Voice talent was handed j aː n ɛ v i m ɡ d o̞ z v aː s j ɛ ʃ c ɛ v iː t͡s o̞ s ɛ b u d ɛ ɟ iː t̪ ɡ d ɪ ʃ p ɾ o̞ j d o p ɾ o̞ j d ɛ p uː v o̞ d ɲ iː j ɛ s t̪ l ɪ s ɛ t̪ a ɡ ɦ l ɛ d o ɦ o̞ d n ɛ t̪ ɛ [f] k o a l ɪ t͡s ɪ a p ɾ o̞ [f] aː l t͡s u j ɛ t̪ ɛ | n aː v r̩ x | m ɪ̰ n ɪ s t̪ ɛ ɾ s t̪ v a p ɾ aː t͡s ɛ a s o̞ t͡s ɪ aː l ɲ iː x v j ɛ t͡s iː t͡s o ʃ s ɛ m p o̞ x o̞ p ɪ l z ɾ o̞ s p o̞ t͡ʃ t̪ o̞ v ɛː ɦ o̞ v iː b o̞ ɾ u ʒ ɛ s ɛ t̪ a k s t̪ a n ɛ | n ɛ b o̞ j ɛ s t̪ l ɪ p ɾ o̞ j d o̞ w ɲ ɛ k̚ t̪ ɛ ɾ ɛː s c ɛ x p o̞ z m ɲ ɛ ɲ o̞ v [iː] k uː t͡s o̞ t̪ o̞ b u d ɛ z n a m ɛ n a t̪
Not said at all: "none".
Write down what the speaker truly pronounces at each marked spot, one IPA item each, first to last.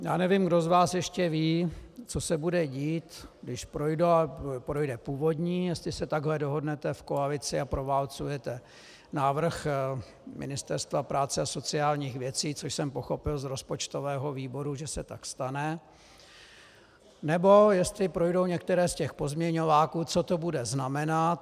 f, v, aː

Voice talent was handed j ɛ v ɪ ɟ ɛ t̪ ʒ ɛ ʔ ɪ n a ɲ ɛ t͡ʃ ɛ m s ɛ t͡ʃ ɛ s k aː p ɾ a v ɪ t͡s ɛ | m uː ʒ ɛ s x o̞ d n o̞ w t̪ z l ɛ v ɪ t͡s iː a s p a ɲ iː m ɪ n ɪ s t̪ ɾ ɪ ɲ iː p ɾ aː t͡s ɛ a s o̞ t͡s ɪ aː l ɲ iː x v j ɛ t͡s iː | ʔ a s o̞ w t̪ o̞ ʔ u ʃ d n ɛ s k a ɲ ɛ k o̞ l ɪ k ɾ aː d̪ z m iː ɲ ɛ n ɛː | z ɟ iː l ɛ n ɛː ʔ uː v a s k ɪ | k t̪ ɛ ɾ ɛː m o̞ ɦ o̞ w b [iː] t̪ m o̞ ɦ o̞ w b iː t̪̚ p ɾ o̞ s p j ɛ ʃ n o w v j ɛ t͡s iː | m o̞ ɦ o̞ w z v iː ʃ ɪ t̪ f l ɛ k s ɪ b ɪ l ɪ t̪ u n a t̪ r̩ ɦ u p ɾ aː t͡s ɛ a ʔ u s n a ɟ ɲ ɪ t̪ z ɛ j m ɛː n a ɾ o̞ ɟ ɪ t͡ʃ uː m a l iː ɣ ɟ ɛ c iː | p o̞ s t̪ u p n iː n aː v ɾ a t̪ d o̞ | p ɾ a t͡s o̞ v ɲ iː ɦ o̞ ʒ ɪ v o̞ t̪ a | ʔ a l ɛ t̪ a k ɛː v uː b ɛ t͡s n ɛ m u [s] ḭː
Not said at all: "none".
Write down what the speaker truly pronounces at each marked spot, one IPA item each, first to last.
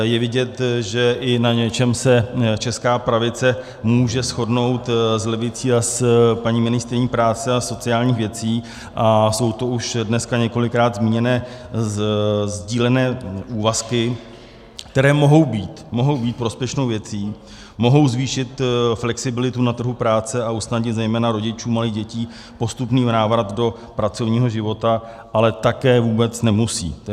iː, s

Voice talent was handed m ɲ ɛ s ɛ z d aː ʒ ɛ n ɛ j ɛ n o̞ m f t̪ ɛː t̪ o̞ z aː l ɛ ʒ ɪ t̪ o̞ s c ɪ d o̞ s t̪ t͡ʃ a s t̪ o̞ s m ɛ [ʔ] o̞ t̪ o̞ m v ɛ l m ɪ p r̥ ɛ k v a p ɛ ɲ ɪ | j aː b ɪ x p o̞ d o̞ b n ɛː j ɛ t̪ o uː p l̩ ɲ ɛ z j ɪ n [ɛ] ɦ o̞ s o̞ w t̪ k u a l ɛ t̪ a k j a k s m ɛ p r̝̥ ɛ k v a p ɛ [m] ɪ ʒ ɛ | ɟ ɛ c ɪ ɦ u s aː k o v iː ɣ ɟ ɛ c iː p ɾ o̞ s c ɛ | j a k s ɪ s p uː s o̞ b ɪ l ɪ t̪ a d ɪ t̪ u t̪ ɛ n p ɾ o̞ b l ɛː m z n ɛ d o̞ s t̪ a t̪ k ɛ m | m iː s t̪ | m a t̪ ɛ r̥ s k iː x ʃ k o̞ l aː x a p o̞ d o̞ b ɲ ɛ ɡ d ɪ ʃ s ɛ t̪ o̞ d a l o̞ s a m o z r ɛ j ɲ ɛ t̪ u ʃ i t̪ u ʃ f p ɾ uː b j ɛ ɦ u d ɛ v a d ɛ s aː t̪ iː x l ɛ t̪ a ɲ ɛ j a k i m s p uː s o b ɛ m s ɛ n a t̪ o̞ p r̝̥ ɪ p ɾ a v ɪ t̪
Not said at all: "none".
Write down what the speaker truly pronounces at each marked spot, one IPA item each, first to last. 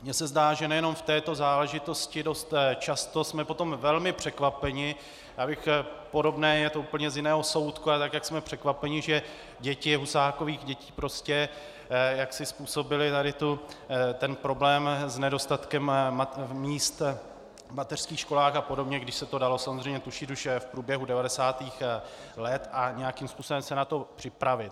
p, ɛː, ɲ

